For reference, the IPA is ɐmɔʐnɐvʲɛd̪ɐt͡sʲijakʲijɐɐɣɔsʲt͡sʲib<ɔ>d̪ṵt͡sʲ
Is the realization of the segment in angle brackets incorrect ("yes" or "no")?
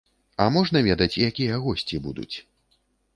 yes